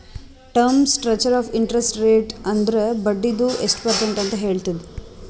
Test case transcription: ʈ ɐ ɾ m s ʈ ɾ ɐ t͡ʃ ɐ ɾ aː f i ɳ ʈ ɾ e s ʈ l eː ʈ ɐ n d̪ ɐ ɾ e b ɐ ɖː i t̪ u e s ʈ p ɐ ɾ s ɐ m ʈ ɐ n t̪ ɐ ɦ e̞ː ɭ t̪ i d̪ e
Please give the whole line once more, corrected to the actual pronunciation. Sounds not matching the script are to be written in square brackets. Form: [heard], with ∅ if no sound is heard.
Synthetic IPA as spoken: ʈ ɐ ɾ m s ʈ ɾ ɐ t͡ʃ ɐ ɾ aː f i ɳ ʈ ɾ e s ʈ [ɾ] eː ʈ ɐ n d̪ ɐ ɾ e b ɐ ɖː i [d̪] u e s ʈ p ɐ ɾ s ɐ [ɳ] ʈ ɐ n t̪ ɐ ɦ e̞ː ɭ t̪ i d̪ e